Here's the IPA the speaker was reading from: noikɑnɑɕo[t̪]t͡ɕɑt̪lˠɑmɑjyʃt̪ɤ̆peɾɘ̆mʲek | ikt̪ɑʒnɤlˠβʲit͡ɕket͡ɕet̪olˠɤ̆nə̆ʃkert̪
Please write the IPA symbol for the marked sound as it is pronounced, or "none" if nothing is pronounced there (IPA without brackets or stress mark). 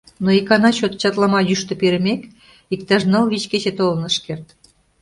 t̪